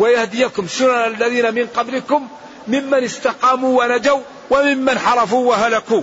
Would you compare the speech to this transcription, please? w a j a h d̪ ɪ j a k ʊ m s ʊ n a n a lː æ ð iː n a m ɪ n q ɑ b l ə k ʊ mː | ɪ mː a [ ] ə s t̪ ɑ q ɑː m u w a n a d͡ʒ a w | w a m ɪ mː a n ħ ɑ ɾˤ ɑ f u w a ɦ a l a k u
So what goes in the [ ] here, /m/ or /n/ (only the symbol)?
n